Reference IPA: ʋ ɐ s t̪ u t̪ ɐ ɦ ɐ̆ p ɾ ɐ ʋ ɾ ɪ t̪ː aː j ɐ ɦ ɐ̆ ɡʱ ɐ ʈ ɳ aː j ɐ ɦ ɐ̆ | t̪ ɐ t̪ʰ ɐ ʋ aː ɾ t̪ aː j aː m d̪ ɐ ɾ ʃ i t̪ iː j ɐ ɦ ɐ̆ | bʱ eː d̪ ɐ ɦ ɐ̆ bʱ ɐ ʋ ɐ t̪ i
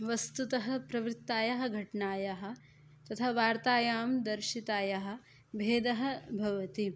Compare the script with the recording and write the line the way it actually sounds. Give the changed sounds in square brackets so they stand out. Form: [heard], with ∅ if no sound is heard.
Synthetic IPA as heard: ʋ ɐ s t̪ u t̪ ɐ ɦ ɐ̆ p ɾ ɐ ʋ ɾ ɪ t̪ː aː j ɐ ɦ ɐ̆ ɡʱ ɐ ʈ ɳ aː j ɐ ɦ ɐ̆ | t̪ ɐ t̪ʰ ɐ ʋ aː ɾ t̪ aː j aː m d̪ ɐ ɾ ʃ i t̪ [aː] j ɐ ɦ ɐ̆ | bʱ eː d̪ ɐ ɦ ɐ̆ bʱ ɐ ʋ ɐ t̪ i